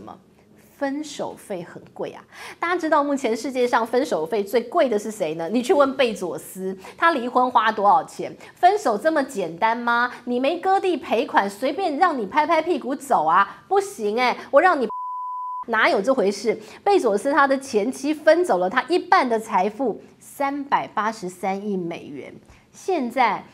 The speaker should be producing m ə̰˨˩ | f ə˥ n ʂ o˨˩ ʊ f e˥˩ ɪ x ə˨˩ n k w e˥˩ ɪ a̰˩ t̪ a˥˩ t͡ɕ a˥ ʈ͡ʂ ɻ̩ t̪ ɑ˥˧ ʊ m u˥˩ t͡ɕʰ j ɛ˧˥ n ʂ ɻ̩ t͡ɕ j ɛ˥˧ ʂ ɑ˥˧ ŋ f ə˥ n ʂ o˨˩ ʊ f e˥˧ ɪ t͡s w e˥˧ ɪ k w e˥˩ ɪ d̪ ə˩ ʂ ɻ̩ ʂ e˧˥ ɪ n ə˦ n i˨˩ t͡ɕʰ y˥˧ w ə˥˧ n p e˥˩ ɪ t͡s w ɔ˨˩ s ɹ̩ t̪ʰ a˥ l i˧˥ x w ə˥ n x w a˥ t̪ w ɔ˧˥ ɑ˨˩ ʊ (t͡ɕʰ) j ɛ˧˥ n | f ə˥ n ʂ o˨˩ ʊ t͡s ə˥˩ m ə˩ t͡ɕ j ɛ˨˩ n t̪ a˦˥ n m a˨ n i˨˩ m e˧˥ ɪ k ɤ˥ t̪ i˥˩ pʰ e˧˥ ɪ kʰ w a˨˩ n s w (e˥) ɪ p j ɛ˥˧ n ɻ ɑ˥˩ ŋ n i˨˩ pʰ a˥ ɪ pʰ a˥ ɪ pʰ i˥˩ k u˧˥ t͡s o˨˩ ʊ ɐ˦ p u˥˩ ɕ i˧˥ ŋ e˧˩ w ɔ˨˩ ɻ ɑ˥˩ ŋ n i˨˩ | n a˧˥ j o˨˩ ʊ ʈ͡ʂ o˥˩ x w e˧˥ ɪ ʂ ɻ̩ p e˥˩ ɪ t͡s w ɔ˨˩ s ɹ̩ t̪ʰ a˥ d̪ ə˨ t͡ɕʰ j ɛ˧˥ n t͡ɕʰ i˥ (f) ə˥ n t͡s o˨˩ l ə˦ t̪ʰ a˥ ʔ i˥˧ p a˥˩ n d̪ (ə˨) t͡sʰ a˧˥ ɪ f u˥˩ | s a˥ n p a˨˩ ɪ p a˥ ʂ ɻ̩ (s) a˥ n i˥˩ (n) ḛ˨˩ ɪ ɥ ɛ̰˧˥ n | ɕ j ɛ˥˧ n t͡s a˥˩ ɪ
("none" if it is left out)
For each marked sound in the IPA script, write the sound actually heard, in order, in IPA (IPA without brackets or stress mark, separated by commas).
t͡ɕʰ, e˧˥, f, ə˨, s, m